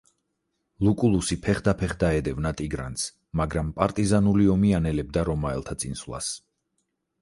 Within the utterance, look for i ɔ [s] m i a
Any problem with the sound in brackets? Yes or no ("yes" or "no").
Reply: yes